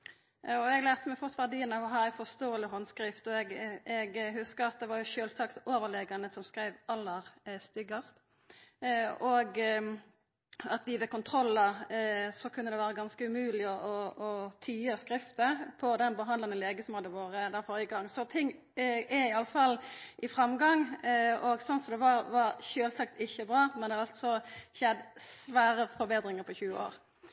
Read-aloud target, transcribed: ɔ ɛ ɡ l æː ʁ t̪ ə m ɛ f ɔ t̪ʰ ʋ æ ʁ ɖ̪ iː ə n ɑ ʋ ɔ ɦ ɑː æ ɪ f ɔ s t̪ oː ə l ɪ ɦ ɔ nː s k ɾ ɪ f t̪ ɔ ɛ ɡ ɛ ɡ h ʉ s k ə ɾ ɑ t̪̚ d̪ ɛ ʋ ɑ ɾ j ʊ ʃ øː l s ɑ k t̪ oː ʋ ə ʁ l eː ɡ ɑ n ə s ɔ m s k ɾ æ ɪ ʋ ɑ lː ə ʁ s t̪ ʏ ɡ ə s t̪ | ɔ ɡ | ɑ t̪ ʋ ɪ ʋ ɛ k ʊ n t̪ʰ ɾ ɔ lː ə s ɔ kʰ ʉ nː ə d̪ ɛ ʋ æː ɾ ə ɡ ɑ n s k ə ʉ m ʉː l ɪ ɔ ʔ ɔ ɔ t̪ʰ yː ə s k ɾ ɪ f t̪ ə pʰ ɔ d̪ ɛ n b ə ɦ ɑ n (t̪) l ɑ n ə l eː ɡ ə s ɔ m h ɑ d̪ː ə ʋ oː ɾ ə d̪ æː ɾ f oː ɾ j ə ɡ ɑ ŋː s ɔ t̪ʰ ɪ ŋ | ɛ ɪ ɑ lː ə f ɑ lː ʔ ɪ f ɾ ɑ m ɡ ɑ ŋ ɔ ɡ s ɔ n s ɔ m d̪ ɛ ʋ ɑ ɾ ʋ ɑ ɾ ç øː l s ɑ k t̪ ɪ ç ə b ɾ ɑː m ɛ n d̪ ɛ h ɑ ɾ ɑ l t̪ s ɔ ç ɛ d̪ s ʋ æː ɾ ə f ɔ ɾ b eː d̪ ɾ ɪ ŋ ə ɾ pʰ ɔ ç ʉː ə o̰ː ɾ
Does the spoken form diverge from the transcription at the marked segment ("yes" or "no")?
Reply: yes